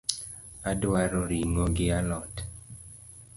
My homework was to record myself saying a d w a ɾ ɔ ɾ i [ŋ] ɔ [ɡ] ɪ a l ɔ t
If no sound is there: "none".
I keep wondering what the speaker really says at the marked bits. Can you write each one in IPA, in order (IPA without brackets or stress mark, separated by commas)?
ŋ, ɡ